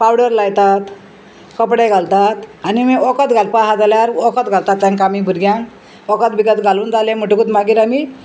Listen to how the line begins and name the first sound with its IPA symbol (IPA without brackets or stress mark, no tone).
p